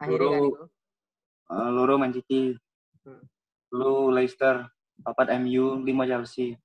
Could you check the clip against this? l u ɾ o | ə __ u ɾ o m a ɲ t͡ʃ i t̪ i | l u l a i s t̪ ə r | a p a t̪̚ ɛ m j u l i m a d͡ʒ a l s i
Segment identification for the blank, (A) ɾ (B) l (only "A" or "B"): B